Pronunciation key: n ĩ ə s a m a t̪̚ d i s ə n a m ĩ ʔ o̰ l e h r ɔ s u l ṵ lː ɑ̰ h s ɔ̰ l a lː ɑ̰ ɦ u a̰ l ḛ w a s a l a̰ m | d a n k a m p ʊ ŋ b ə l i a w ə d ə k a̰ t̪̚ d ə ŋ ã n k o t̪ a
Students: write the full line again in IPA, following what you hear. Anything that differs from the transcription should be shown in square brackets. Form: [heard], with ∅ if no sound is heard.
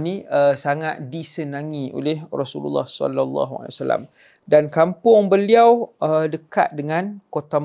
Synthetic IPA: n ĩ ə s a [ŋ] a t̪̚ d i s ə n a [ŋ] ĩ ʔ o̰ l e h r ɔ s u l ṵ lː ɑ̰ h s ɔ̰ l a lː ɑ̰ ɦ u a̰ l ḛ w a s a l a̰ m | d a n k a m p ʊ ŋ b ə l i a w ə d ə k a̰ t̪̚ d ə ŋ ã n k o t̪ a

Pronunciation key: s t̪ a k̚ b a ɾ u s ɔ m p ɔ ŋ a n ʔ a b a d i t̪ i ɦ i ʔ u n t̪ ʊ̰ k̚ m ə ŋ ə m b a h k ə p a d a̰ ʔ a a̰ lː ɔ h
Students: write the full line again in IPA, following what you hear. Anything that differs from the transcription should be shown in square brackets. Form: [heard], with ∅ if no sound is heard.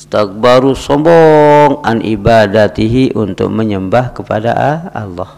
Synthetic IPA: s t̪ a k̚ b a ɾ u s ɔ m [b] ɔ ŋ a n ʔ [i] b a d [a] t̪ i ɦ i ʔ u n t̪ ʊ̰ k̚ m ə [ɲ] ə m b a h k ə p a d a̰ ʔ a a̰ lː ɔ h

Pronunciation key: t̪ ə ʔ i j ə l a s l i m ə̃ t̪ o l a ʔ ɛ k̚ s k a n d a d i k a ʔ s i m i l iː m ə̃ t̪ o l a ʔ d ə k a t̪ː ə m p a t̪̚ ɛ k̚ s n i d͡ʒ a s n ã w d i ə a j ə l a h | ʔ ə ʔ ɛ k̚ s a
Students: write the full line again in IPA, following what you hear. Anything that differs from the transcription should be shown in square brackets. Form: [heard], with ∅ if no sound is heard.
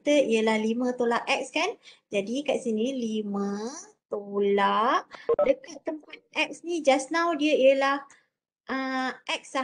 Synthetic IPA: t̪ ə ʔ i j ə l a [h] l i m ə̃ t̪ o l a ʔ ɛ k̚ s k a n [d͡ʒ] a d i k a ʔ s i [n] i l [i] m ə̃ t̪ o l a ʔ d ə k a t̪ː ə m p a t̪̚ ɛ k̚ s n i d͡ʒ a s n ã w d i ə [i] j ə l a h | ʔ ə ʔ ɛ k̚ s a

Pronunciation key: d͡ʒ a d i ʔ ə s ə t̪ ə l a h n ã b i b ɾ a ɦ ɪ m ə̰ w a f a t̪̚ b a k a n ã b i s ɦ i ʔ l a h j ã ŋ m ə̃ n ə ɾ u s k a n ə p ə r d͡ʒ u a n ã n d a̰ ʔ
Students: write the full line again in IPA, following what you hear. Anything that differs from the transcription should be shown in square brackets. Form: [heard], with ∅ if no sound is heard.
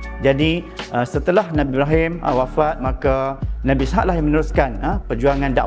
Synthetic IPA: d͡ʒ a d i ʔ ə s ə t̪ ə l a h n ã b i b ɾ a ɦ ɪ m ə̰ w a f a t̪̚ [m] a k a n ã b i s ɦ [a] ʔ l a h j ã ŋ m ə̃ n ə ɾ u s k a n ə p ə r d͡ʒ u a [ŋ] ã n d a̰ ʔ

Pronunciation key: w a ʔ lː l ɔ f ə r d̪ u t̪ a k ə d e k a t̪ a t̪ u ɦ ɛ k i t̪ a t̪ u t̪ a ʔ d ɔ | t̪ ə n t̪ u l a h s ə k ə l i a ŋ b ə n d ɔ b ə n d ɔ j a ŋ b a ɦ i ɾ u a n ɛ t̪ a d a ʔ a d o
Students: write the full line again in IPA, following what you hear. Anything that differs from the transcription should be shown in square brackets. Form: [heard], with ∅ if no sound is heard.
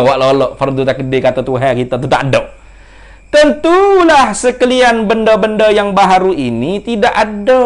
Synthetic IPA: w a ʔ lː l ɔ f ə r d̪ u t̪ a k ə d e k a t̪ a t̪ u ɦ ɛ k i t̪ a t̪ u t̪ a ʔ d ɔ | t̪ ə n t̪ u l a h s ə k ə l i a [n] b ə n d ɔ b ə n d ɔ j a ŋ b a ɦ [a] ɾ u [i] n [i] t̪ [i] d a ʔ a d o

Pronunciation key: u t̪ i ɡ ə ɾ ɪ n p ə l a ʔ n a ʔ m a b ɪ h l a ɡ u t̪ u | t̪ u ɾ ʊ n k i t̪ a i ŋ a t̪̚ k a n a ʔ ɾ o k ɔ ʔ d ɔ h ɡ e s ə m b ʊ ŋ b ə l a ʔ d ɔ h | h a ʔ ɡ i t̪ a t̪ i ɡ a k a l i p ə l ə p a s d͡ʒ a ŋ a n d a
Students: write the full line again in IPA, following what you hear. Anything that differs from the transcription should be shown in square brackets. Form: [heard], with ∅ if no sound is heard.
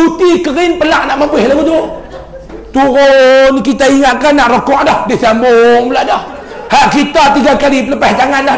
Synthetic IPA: u t̪ i [k] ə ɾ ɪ n p ə l a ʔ n a ʔ m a b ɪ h l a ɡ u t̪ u | t̪ u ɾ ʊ n k i t̪ a i ŋ a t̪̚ k a n a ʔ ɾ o k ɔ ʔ d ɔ h [d] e s [a] m b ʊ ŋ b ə l a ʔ d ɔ h | h a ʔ [k] i t̪ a t̪ i ɡ a k a l i p ə l ə p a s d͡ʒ a ŋ a n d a

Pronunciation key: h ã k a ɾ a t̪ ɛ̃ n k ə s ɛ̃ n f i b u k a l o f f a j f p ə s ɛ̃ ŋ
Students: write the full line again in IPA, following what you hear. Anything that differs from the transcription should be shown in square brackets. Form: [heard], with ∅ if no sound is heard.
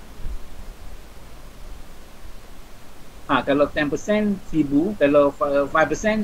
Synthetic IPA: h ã k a [l] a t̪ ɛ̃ n [p] ə s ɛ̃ n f i b u k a l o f f a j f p ə s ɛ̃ [n]

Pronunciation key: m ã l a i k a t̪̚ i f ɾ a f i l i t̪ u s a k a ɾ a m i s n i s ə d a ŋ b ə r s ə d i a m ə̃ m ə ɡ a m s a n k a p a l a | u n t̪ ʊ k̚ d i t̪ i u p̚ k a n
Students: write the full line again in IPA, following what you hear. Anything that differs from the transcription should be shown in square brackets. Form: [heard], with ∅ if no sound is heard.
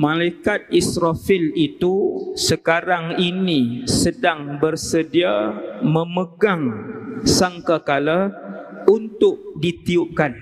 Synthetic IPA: m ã l a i k a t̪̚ i [s] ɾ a f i l i t̪ u s [ə] k a ɾ a [ŋ] i [∅] n i s ə d a ŋ b ə r s ə d i a m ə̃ m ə ɡ a [ŋ] s a [ŋ] k a [k] a l a | u n t̪ ʊ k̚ d i t̪ i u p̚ k a n

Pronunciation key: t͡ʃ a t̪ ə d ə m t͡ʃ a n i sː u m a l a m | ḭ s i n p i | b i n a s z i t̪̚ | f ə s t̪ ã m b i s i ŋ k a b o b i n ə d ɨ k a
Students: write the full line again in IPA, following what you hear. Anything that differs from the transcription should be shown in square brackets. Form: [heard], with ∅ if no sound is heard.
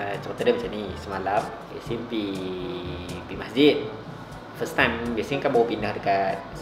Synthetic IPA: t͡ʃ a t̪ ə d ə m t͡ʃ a n i [s] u m a l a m | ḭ s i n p i | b i [m] a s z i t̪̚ | f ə s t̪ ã m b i s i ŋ k a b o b i n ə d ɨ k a

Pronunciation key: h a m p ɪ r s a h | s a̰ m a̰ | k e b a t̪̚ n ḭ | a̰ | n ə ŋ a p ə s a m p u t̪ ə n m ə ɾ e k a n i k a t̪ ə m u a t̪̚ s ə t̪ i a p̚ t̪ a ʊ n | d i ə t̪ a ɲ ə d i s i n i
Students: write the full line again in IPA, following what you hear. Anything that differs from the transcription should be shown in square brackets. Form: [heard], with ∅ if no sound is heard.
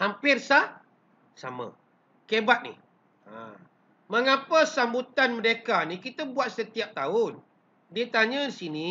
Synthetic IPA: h a m p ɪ r s a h | s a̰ m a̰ | k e b a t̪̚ n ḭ | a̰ | [m] ə ŋ a p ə s a m [b] u t̪ [a] n m ə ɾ e k a n i k [i] t̪ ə [b] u a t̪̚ s ə t̪ i a p̚ t̪ a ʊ n | d i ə t̪ a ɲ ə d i s i n i

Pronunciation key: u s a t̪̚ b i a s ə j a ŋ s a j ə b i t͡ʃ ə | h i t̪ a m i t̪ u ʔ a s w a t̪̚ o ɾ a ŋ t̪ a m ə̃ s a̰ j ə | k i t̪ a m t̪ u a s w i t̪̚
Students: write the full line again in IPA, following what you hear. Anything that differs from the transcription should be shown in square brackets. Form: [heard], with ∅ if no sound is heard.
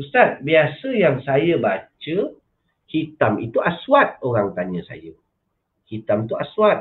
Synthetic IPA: u s a t̪̚ b i a s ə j a ŋ s a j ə b [a] t͡ʃ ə | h i t̪ a m i t̪ u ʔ a s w a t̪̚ o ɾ a ŋ t̪ a [ɲ] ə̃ s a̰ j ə | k i t̪ a m t̪ u a s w [a] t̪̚

